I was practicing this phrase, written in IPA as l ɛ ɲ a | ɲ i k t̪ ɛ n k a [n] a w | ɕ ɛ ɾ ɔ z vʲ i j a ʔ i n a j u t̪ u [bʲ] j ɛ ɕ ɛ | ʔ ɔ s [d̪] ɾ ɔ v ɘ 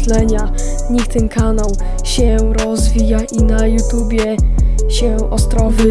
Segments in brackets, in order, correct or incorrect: correct, correct, incorrect: t̪

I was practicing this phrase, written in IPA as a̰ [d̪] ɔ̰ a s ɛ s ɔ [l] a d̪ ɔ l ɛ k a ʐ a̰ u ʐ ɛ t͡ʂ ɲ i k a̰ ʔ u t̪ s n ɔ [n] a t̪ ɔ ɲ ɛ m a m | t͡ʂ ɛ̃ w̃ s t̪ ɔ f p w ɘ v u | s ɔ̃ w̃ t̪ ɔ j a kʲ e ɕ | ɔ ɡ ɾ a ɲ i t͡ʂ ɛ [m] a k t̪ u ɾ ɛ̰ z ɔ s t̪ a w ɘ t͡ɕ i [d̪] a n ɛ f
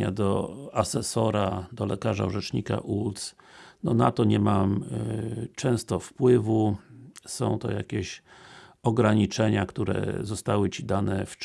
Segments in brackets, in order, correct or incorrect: correct, incorrect: ɾ, correct, incorrect: ɲ, correct

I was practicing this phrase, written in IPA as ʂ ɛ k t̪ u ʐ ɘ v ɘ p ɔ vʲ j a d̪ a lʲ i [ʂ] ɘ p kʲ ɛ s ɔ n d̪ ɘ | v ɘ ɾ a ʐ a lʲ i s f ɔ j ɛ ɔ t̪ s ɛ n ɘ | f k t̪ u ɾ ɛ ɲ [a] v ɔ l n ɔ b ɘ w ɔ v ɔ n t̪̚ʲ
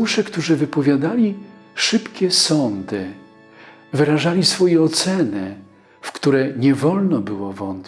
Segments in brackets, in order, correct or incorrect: correct, incorrect: ɛ

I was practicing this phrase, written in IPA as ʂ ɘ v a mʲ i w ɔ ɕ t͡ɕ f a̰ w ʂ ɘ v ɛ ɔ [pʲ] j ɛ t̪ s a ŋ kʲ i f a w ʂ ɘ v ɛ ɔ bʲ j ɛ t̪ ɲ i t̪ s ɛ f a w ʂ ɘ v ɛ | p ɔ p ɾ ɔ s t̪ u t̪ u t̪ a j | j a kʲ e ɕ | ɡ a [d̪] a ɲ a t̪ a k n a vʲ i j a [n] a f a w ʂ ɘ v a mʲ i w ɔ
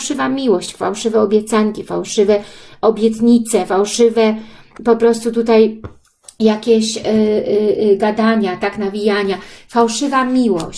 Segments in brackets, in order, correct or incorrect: incorrect: bʲ, correct, incorrect: ɲ

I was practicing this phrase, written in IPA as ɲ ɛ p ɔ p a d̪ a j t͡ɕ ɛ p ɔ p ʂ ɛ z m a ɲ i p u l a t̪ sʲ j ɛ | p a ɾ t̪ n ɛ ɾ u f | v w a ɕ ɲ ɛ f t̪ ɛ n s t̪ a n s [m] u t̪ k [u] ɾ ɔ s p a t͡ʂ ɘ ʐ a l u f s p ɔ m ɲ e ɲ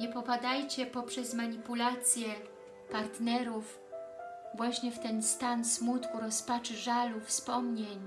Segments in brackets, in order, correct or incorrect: correct, correct

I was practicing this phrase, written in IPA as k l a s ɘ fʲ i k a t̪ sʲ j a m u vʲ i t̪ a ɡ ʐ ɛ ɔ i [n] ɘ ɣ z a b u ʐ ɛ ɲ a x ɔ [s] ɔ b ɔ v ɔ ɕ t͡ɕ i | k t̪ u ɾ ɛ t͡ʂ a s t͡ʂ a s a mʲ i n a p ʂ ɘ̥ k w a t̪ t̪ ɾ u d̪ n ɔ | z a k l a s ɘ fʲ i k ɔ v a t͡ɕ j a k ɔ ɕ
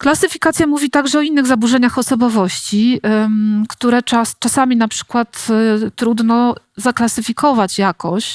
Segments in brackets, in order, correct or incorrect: incorrect: nː, correct

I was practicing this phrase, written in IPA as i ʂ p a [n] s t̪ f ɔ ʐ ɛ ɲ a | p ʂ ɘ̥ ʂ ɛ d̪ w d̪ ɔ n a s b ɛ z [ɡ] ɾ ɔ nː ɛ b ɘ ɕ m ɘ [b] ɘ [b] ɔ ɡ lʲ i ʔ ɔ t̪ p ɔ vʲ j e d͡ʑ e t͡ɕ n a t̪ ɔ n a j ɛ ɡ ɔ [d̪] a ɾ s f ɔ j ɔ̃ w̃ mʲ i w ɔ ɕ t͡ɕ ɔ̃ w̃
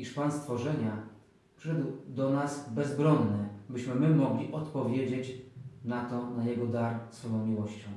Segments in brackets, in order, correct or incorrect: correct, incorrect: b, incorrect: m, incorrect: m, correct

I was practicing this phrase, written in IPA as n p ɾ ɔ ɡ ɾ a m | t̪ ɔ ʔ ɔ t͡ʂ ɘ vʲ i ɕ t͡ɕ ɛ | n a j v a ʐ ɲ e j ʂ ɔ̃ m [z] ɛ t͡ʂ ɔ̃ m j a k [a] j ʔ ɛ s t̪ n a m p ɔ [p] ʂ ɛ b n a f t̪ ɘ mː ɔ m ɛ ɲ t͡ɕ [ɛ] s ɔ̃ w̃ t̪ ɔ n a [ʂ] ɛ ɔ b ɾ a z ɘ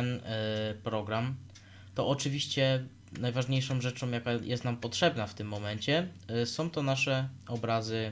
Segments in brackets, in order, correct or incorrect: incorrect: ʐ, correct, incorrect: t, correct, correct

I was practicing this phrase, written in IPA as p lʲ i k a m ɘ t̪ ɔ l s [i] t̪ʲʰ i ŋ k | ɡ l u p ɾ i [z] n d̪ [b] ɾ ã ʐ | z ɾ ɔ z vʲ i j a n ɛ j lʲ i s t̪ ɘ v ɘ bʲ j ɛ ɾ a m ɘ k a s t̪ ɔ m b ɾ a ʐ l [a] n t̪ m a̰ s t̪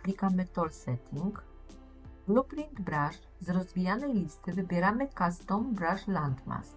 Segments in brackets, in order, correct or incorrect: incorrect: ɛ, incorrect: none, correct, correct

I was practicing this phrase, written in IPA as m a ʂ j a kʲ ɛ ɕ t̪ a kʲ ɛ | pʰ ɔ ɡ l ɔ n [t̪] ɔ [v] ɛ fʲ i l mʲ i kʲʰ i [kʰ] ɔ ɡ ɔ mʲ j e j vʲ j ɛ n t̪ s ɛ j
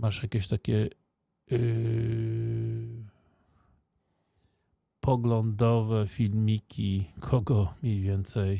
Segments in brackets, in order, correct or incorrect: incorrect: d̪, correct, correct

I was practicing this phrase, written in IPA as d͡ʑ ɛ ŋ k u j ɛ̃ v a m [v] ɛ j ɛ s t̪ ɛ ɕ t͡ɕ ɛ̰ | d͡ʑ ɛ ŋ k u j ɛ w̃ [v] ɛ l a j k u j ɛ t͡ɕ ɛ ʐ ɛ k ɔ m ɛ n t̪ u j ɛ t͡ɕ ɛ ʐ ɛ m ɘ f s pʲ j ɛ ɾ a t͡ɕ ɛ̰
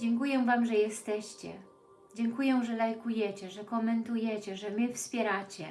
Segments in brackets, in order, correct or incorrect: incorrect: ʐ, incorrect: ʐ

